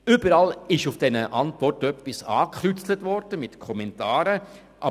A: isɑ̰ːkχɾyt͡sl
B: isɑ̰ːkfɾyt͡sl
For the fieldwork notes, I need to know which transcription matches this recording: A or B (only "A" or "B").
A